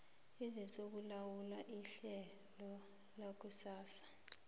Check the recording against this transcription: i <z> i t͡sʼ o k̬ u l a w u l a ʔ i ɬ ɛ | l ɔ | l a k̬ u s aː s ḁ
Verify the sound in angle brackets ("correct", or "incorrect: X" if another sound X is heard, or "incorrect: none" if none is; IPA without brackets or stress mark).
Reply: correct